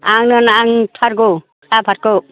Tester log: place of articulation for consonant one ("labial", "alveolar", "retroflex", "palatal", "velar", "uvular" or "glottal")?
velar